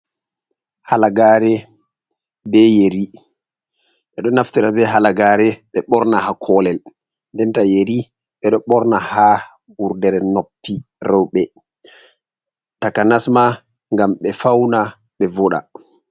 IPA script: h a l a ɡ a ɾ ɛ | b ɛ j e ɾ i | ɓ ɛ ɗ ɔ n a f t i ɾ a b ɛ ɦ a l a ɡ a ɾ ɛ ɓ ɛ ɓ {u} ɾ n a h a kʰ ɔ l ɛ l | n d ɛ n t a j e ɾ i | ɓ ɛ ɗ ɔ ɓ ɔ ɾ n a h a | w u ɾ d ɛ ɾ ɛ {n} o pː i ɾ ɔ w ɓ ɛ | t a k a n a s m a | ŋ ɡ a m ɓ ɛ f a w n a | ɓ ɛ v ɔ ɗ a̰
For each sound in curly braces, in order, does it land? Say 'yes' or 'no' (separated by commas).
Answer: no, yes